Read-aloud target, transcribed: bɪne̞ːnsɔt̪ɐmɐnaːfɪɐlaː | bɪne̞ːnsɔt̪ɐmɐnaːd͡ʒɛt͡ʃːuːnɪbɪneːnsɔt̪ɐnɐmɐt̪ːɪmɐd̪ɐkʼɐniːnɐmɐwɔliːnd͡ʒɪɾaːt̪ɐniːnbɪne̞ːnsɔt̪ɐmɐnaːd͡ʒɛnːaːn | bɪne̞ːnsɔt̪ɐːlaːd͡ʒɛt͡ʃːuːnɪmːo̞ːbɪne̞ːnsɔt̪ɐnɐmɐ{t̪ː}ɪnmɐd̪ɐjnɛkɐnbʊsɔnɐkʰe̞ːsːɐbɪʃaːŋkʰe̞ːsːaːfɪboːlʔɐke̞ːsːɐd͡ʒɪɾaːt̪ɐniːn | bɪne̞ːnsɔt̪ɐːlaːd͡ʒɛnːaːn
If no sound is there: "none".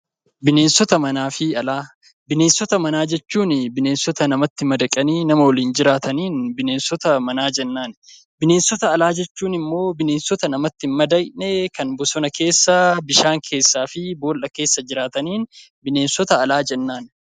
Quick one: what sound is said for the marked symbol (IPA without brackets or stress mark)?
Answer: t̪ː